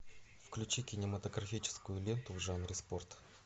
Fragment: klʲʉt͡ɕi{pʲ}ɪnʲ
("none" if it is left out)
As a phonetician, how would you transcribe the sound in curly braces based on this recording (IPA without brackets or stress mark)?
kʲ